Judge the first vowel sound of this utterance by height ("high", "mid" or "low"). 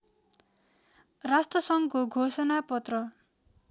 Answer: low